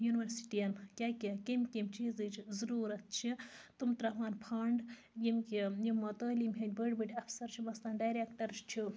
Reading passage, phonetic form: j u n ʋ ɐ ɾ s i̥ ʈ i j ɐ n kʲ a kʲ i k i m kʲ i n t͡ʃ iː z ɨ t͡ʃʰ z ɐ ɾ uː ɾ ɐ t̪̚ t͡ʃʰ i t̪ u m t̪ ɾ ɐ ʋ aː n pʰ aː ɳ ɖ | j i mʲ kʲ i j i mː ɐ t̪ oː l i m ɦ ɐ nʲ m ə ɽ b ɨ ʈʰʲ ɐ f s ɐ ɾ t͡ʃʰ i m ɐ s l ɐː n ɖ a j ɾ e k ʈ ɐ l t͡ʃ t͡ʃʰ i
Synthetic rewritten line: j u n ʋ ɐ ɾ s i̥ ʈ i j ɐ n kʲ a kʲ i k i m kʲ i m t͡ʃ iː z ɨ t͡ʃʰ z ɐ ɾ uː ɾ ɐ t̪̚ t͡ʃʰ i t̪ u m t̪ ɾ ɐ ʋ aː n pʰ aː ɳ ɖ | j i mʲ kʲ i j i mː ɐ t̪ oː l i m ɦ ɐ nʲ b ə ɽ b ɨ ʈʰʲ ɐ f s ɐ ɾ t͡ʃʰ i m ɐ s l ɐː n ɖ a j ɾ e k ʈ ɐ ɾ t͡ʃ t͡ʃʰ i